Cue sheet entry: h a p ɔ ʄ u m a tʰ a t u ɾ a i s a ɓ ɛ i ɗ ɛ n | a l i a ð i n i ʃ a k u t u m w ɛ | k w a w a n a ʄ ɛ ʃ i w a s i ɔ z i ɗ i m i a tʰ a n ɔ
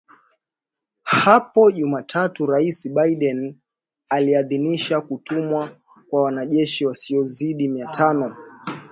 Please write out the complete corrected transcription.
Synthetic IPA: h a p ɔ ʄ u m a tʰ a t u ɾ a i s i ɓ a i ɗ ɛ n | a l i a ð i n i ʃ a k u t u m w a | k w a w a n a ʄ ɛ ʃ i w a s i ɔ z i ɗ i m i a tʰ a n ɔ